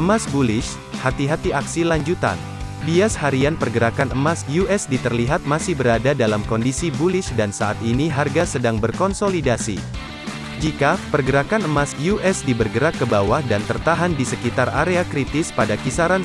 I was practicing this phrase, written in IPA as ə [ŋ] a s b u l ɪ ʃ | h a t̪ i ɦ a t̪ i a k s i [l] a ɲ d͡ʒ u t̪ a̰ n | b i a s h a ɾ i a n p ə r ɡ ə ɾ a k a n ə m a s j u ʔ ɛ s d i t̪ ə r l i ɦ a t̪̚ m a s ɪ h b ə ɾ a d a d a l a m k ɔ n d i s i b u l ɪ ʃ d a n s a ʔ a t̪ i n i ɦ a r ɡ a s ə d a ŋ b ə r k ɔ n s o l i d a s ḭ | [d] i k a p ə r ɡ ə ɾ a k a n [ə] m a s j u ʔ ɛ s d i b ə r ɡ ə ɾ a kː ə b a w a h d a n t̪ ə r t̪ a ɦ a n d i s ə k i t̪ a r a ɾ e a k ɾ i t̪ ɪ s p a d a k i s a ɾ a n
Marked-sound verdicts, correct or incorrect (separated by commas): incorrect, correct, incorrect, correct